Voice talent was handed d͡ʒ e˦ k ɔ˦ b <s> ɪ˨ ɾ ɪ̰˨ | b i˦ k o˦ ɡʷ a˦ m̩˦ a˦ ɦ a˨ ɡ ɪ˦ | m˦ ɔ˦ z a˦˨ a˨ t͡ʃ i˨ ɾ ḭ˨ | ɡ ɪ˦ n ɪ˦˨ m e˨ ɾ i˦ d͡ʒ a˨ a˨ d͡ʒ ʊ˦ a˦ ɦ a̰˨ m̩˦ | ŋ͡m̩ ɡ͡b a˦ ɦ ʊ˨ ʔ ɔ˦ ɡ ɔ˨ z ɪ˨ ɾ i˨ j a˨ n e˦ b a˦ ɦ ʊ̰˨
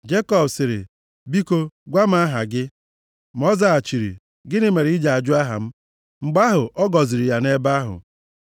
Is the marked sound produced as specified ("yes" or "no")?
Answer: yes